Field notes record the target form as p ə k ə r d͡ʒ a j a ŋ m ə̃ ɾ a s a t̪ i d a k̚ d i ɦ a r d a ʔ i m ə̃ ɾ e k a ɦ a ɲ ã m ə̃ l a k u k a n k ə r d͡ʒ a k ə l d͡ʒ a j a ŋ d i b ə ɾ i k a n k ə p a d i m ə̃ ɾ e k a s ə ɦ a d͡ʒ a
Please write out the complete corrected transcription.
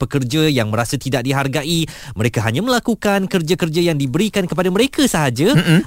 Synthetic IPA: p ə k ə r d͡ʒ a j a ŋ m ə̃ ɾ a s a t̪ i d a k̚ d i ɦ a r ɡ a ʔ i m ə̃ ɾ e k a ɦ a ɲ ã m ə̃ l a k u k a n k ə r d͡ʒ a k ə r d͡ʒ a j a ŋ d i b ə ɾ i k a n k ə p a d a m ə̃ ɾ e k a s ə ɦ a d͡ʒ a